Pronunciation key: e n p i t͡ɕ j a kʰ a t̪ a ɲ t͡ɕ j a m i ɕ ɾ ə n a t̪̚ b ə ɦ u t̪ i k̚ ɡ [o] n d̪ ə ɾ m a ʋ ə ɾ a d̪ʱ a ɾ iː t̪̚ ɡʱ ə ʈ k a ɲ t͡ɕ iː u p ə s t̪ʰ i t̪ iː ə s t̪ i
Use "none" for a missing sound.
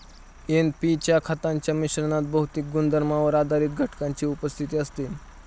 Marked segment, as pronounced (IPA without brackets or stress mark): u